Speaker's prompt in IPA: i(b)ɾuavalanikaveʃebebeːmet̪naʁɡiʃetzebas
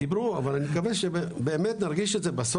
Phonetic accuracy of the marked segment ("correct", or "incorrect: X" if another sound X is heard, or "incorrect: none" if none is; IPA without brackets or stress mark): correct